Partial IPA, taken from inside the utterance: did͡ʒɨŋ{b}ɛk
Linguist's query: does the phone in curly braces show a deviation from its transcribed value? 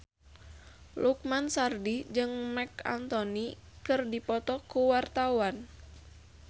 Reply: yes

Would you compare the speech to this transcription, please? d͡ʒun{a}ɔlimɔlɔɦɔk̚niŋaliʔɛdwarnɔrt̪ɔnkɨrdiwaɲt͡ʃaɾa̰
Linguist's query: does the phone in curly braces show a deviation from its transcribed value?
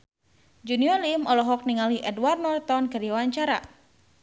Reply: yes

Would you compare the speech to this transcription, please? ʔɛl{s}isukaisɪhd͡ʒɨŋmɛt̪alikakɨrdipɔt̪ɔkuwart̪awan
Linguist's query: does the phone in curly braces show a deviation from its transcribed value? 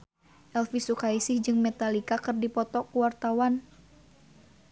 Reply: yes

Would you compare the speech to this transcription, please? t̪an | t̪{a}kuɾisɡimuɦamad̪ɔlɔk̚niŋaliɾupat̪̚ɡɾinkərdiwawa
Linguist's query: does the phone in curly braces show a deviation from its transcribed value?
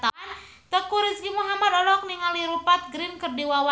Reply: yes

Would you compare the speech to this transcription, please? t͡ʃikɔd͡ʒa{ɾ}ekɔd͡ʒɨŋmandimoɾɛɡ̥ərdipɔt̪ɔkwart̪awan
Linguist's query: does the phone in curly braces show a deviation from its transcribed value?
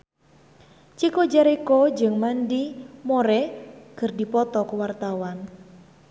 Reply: no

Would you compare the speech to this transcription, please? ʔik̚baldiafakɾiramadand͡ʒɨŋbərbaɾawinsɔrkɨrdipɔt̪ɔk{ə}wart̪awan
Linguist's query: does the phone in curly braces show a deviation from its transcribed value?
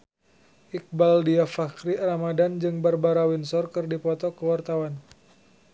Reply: no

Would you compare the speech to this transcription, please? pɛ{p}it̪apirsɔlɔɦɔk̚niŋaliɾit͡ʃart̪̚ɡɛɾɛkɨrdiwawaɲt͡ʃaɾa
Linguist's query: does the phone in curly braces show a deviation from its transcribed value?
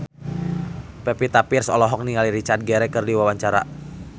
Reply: no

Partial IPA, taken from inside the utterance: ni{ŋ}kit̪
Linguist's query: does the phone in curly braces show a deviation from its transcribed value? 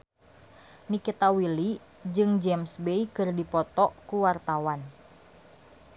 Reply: yes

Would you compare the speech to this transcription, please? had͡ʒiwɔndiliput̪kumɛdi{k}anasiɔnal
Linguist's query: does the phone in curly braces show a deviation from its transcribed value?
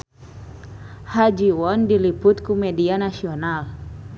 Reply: yes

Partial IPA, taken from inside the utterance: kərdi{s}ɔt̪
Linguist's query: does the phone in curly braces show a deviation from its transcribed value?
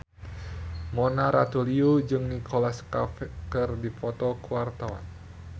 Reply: yes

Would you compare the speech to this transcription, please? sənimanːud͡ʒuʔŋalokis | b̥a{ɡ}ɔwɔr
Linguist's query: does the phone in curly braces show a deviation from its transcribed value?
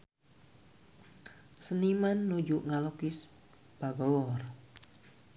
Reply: no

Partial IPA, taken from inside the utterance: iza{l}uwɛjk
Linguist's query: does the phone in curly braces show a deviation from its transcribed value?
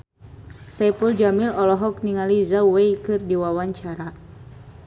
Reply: yes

